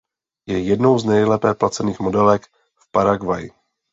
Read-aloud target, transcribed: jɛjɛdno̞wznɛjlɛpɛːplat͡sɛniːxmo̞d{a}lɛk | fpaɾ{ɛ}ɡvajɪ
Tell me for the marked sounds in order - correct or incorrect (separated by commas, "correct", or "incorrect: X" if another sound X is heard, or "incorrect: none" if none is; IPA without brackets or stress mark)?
incorrect: ɛ, incorrect: a